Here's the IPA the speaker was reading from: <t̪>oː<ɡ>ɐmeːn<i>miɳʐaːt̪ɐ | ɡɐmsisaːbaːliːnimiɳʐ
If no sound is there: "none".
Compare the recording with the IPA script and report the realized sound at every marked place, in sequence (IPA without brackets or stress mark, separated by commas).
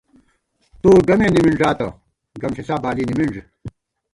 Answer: t̪, ɡ, i